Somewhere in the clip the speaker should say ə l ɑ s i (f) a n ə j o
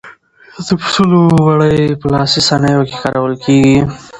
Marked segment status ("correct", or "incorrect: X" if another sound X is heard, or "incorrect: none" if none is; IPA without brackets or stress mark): incorrect: s